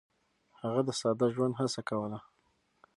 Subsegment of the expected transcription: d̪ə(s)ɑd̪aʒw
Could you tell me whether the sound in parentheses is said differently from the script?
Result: no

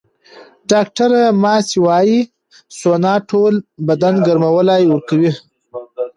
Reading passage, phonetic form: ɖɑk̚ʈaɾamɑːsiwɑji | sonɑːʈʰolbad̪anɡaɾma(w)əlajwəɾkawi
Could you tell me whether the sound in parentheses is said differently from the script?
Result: no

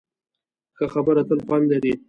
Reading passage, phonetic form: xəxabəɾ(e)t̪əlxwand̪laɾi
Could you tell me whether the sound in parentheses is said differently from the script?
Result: yes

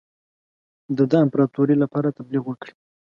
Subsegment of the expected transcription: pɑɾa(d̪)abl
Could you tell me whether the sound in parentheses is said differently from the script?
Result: yes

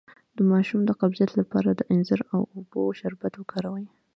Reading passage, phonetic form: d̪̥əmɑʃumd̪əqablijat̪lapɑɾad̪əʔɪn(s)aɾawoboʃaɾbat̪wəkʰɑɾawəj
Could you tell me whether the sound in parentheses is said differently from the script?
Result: yes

